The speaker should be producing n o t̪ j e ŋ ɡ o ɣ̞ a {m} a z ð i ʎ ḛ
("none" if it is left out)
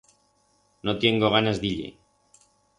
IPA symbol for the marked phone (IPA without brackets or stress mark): n